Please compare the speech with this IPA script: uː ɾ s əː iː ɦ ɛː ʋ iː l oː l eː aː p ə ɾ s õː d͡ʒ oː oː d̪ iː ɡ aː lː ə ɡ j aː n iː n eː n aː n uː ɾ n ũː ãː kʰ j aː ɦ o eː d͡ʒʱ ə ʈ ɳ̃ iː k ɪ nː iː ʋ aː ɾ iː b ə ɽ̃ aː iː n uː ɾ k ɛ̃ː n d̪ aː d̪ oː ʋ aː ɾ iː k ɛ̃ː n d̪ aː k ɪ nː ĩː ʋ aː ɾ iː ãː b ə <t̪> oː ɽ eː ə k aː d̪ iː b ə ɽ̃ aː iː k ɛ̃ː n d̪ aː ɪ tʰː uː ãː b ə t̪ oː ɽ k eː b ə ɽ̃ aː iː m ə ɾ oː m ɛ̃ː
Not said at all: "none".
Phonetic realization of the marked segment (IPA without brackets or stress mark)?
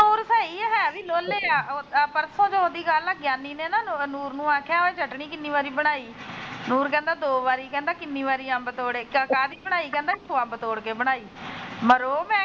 t̪